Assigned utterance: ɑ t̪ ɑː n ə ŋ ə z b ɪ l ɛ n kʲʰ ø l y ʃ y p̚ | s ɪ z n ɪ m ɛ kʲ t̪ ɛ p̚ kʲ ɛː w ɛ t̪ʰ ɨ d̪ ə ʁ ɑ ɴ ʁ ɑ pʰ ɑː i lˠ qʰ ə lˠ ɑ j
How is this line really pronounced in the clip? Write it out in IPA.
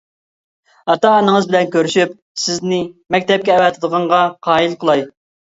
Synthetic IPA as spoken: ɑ t̪ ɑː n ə ŋ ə z b ɪ l ɛ n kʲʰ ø ɾ y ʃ y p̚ | s ɪ z n ɪ m ɛ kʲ t̪ ɛ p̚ kʲ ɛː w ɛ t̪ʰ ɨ d̪ ə ʁ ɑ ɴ ʁ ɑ qʰ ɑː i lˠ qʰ ə lˠ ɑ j